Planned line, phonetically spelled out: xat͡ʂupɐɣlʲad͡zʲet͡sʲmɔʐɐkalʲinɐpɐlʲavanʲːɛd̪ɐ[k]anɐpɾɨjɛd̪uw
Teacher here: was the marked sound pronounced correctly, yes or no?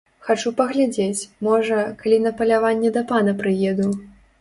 no